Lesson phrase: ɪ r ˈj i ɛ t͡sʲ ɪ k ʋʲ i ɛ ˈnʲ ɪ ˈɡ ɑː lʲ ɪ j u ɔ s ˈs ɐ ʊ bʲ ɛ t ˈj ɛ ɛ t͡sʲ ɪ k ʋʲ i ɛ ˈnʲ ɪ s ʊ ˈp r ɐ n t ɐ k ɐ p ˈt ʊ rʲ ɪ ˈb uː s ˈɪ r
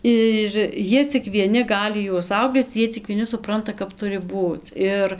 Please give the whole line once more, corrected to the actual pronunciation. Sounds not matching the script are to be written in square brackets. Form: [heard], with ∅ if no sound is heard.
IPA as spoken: ɪ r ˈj i ɛ t͡sʲ ɪ k ʋʲ i ɛ ˈnʲ ɪ ˈɡ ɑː lʲ ɪ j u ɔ s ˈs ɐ ʊ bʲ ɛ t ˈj [i] ɛ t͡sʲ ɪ k ʋʲ i ɛ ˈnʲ ɪ s ʊ ˈp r ɐ n t ɐ k ɐ p ˈt ʊ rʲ ɪ ˈb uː [t͡s] ˈɪ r